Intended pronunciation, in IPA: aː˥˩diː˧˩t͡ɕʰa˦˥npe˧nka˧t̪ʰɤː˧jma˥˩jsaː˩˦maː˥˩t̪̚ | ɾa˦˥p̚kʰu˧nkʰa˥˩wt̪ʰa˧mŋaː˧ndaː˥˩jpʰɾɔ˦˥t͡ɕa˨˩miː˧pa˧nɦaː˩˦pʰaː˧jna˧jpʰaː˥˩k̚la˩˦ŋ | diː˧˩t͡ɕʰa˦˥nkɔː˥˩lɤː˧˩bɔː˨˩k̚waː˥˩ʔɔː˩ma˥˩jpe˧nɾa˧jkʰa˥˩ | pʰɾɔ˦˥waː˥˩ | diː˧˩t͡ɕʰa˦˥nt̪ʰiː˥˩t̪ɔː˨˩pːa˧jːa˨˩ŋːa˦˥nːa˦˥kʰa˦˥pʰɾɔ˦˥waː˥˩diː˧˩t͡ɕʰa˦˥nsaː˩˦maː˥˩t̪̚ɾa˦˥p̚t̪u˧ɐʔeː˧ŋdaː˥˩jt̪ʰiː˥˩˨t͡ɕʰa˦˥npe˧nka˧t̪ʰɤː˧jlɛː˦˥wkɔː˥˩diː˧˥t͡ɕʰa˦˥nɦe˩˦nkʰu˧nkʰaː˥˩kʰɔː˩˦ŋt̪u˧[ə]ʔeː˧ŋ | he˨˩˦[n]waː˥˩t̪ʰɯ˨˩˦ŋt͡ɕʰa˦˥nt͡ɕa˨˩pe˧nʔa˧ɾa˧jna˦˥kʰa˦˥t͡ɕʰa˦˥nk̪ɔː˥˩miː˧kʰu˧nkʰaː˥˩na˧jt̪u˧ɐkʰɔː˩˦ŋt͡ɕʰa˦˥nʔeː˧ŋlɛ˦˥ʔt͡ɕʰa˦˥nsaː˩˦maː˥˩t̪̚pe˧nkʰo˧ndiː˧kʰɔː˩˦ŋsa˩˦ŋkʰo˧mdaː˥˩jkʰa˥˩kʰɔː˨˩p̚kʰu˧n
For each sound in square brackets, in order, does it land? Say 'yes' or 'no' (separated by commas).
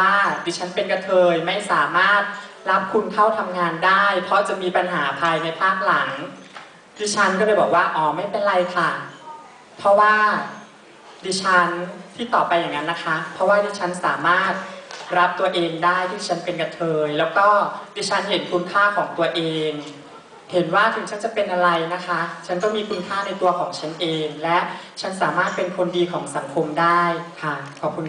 no, yes